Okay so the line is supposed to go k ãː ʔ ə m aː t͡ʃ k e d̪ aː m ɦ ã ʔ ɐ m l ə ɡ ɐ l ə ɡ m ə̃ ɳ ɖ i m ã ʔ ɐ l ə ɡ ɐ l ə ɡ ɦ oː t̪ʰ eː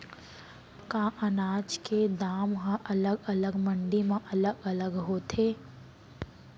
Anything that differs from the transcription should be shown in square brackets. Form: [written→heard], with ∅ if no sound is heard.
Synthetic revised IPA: k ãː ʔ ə [m→n] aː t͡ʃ k e d̪ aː m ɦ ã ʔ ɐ [m→∅] l ə ɡ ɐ l ə ɡ m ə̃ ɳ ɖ i m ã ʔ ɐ l ə ɡ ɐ l ə ɡ ɦ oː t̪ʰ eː